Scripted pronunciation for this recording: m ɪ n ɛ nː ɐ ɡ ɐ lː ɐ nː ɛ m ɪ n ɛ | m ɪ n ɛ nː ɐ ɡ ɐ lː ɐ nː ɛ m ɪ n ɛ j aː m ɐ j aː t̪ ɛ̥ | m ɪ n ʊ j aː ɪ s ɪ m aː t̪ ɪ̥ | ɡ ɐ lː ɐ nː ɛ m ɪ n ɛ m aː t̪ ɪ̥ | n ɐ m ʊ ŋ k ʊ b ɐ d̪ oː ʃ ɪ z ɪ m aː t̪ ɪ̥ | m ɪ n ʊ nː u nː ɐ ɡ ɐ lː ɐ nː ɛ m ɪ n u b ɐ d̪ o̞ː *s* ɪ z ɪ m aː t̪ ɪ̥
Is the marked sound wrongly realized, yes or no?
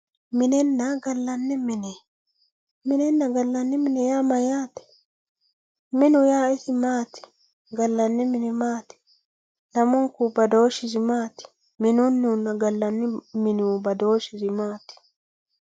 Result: yes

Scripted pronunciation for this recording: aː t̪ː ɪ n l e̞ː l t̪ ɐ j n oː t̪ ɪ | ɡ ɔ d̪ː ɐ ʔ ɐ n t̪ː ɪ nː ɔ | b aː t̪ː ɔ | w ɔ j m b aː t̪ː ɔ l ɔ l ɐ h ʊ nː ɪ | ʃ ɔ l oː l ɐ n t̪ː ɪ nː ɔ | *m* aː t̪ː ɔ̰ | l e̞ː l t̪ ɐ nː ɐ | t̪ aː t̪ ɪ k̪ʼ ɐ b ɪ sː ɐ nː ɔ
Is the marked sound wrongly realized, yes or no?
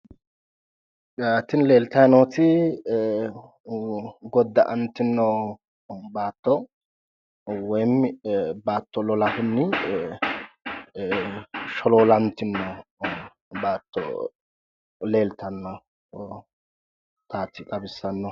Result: yes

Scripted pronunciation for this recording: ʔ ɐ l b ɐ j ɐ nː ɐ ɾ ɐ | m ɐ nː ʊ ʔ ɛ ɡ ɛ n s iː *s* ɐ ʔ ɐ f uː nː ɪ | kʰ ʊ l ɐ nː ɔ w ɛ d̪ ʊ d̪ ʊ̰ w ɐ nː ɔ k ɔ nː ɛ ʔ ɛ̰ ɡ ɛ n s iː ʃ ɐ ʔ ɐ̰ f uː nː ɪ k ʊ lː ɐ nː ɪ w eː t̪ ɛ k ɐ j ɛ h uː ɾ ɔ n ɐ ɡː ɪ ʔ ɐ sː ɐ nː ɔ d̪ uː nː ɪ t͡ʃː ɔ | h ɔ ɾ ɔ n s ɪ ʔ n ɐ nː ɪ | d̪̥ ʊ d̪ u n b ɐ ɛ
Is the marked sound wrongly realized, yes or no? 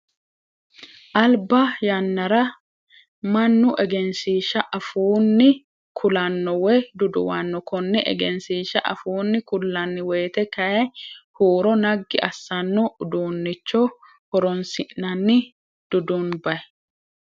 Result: yes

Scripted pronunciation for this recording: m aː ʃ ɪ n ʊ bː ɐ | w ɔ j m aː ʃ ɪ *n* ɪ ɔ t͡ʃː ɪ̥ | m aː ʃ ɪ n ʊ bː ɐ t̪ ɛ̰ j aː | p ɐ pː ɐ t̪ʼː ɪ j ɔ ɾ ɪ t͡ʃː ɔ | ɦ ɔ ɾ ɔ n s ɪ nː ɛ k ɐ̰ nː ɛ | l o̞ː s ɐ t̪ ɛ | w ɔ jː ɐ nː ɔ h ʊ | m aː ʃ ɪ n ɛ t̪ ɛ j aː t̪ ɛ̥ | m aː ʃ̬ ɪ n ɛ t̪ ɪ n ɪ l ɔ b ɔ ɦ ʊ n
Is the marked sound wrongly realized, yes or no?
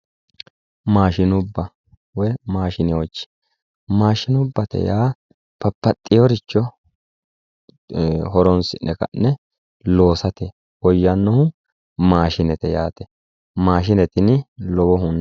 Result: no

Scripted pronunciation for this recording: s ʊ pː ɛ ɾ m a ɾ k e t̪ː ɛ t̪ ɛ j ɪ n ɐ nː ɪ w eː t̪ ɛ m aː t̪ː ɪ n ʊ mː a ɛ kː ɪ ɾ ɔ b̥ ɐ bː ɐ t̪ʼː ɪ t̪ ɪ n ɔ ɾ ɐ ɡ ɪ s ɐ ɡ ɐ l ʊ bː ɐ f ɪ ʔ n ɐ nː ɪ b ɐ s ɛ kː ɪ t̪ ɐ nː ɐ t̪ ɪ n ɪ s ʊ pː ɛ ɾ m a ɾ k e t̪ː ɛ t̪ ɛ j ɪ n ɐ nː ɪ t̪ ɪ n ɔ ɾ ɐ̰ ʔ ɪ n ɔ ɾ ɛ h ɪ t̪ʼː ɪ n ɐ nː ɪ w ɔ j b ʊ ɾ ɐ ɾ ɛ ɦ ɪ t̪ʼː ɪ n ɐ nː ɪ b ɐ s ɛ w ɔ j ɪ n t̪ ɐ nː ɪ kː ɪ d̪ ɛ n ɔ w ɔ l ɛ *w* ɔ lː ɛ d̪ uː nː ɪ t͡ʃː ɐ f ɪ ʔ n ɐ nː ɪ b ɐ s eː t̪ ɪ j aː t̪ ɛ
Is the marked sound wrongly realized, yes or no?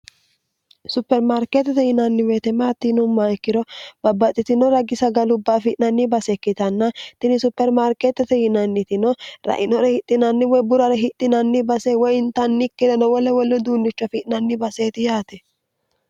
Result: no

